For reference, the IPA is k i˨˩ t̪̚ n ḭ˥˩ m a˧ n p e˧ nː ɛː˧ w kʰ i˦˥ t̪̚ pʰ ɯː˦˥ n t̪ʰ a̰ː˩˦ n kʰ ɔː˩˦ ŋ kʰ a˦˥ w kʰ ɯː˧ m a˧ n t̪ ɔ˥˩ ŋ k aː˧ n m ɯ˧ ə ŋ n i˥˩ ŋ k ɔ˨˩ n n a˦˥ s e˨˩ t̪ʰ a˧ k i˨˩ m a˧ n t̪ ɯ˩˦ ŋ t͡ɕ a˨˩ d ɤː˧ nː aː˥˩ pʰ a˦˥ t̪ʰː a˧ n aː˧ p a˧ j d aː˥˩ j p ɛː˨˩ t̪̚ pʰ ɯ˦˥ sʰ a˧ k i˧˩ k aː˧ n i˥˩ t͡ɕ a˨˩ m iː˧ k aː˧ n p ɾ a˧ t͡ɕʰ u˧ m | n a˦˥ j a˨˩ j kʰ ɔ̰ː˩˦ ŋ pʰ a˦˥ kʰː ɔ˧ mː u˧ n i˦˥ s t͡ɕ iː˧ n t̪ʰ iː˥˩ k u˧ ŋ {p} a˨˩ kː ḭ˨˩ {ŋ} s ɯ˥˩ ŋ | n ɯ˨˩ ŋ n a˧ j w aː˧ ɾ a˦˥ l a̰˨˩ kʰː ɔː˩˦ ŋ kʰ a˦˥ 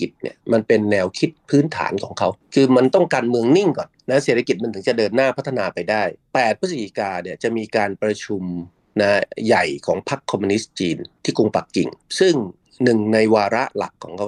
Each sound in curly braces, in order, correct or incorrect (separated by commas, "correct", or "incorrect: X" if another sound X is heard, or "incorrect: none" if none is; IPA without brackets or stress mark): correct, correct